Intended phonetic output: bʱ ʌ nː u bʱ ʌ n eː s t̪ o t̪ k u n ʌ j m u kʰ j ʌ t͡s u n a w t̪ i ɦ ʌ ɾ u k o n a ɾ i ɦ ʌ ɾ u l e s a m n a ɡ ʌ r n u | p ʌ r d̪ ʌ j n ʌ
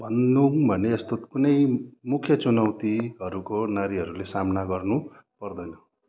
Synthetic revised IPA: bʱ ʌ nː u bʱ ʌ n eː s t̪ o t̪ k u n ʌ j m u kʰ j ʌ t͡s u n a w t̪ i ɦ ʌ ɾ u k o n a ɾ i ɦ ʌ ɾ u l e s a m n a ɡ ʌ r n u | p ʌ r d̪ ʌ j n ʌ